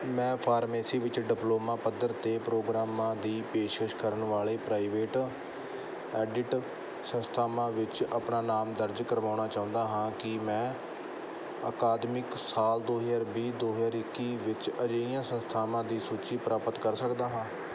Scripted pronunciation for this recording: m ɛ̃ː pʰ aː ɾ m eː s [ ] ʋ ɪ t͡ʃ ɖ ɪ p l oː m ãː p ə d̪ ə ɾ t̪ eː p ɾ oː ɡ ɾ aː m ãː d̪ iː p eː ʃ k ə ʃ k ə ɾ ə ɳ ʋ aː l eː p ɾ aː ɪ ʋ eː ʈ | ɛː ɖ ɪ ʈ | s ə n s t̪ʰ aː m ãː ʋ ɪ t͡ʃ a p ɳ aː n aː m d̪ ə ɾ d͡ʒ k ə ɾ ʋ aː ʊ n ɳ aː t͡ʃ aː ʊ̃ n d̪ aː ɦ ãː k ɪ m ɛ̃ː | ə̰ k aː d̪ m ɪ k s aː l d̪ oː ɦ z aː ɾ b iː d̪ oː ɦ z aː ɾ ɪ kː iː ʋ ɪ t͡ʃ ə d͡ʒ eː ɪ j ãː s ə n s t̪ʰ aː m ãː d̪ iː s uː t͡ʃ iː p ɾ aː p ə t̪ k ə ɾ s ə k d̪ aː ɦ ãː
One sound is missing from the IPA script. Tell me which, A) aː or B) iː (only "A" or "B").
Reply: B